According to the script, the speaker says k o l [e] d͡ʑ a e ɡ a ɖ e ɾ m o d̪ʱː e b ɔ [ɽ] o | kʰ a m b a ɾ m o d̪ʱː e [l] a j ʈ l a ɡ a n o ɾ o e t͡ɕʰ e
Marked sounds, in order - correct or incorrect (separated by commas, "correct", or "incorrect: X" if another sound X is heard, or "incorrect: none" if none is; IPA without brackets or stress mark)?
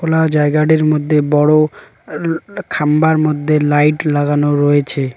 incorrect: a, correct, correct